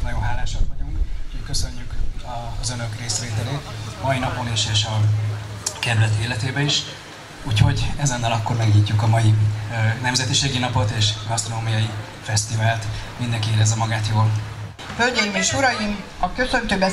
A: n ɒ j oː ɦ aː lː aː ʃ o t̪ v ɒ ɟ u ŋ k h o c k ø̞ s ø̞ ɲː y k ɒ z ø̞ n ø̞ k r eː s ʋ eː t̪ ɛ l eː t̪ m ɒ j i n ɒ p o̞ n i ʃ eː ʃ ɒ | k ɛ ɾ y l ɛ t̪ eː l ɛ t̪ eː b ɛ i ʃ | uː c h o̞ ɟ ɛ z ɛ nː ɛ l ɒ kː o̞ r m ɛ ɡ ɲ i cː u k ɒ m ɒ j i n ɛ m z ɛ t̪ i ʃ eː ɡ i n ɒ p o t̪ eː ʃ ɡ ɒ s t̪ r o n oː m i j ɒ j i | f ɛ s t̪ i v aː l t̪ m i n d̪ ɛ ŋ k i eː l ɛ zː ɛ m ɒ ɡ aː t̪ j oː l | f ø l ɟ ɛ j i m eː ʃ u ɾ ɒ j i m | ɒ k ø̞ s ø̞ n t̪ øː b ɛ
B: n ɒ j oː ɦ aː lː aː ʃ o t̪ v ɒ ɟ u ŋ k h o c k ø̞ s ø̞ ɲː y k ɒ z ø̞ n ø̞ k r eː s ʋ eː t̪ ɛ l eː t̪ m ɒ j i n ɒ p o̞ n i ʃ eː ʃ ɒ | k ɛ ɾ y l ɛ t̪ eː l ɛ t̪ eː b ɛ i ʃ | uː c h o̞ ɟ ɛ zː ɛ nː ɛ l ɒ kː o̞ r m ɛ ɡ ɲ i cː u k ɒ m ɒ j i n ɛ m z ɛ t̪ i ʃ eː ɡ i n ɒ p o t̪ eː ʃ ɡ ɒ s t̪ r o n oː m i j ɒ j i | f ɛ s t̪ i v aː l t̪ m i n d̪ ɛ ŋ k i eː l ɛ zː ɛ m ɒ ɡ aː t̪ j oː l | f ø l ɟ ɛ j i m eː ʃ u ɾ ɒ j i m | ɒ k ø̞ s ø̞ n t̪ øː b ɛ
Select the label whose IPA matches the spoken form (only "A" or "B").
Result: A